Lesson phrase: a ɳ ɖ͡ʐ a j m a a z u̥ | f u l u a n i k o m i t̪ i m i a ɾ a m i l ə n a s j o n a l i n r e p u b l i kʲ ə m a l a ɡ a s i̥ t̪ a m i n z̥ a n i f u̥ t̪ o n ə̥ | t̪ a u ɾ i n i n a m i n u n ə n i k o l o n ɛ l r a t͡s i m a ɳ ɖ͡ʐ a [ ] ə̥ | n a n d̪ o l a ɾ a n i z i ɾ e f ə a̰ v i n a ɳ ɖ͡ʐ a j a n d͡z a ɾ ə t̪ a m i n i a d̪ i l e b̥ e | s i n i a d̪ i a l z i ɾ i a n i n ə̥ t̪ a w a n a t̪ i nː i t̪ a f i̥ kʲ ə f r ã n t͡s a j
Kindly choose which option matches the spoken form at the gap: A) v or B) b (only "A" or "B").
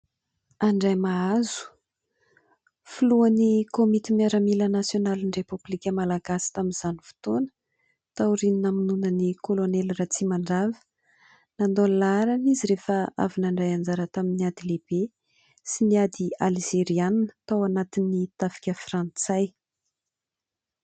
A